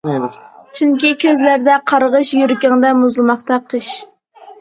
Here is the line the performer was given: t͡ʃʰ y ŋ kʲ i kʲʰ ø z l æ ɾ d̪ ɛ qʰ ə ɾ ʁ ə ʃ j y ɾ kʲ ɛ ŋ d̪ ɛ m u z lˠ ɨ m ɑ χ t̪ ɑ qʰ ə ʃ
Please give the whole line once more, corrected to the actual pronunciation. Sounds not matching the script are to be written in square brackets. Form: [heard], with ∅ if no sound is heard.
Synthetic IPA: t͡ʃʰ y ŋ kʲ i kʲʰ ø z l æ ɾ d̪ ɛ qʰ [ɑ] ɾ ʁ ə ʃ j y ɾ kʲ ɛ ŋ d̪ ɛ m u z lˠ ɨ m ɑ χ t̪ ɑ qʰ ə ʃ